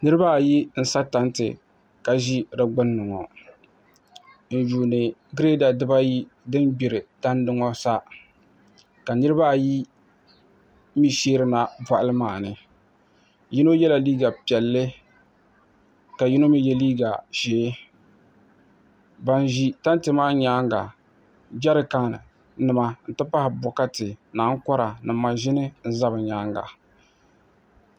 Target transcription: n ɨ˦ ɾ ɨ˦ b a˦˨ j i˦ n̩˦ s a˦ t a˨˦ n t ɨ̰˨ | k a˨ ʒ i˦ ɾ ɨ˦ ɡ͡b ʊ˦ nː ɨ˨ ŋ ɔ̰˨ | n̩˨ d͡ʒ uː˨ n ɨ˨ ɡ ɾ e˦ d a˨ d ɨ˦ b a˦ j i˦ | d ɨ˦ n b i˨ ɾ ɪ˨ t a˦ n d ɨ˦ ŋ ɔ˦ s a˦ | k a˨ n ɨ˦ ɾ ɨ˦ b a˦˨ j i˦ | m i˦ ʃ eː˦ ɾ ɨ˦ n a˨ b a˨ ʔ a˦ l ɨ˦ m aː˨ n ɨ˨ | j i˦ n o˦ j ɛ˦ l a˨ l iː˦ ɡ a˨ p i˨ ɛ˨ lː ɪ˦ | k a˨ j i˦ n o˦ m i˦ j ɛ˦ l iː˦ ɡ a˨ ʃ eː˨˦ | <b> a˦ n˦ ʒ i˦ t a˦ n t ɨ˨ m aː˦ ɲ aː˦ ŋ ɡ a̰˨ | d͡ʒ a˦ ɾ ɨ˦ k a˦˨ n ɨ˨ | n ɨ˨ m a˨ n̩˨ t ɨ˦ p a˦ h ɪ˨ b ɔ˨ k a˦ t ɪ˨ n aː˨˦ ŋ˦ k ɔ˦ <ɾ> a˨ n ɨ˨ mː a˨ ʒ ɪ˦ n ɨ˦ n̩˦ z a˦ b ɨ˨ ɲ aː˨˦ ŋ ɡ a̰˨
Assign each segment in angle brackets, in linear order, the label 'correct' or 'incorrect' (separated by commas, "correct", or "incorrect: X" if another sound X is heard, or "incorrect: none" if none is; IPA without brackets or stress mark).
correct, correct